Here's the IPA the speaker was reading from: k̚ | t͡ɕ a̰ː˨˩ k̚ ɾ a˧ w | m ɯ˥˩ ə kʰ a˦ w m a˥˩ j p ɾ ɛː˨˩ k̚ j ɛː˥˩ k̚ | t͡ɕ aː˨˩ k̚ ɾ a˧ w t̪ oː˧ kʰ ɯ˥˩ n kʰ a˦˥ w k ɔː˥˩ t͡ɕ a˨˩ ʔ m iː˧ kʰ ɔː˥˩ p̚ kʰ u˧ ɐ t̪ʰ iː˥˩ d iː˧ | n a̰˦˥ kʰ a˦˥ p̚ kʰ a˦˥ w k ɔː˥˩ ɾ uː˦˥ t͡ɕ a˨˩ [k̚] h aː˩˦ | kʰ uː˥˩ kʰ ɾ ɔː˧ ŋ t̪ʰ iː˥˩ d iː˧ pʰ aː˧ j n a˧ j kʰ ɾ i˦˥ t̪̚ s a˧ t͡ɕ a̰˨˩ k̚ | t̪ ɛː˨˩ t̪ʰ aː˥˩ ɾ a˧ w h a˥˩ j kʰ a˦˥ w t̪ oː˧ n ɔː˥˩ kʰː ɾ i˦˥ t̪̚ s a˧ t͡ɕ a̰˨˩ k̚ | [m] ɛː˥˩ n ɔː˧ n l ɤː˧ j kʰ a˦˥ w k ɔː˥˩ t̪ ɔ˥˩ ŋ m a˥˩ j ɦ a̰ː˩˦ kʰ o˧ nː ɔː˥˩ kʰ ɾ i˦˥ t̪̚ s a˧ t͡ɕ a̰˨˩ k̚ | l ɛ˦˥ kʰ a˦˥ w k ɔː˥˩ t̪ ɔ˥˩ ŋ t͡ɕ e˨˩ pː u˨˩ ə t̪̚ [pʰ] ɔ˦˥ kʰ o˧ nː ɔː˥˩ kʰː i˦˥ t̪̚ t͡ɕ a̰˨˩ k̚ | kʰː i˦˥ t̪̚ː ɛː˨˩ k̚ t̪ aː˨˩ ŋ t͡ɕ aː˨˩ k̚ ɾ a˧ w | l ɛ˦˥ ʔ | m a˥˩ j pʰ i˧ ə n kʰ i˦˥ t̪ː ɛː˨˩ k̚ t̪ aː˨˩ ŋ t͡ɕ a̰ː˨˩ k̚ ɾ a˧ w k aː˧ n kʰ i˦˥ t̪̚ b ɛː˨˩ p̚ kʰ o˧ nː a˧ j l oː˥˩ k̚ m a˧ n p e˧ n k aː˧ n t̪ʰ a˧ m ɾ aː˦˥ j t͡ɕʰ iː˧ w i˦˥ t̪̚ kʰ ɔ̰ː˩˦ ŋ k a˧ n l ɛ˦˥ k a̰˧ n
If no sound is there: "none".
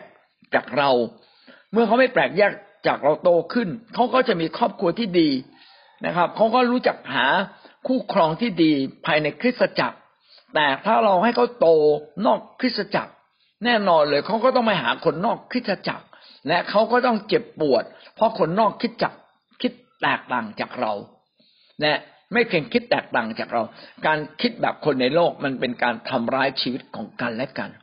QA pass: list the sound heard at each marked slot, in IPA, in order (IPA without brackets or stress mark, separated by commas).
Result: k̚, n, pʰ